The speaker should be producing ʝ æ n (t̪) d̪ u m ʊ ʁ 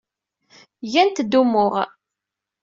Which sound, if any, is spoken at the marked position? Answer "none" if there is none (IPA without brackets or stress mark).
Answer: t̪